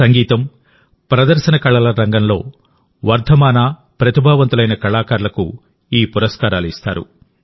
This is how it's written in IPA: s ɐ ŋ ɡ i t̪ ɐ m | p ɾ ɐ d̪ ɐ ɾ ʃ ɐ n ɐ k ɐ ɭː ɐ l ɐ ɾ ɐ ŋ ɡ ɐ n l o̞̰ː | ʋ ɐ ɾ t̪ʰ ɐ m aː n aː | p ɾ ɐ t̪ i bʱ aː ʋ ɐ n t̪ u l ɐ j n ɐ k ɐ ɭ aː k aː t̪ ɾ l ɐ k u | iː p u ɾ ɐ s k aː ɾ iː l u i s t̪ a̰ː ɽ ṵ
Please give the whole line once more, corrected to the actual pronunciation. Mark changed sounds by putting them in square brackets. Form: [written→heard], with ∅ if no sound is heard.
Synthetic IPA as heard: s ɐ ŋ ɡ [i→iː] t̪ ɐ m | p ɾ ɐ d̪ ɐ ɾ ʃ ɐ n ɐ k ɐ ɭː ɐ l ɐ ɾ ɐ ŋ ɡ ɐ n l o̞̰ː | ʋ ɐ ɾ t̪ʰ ɐ m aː n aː | p ɾ ɐ t̪ i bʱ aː ʋ ɐ n t̪ u l ɐ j n ɐ k ɐ ɭ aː k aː [t̪→∅] ɾ l ɐ k u | iː p u ɾ ɐ s k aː ɾ [iː→aː] l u i s t̪ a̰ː [ɽ→ɾ] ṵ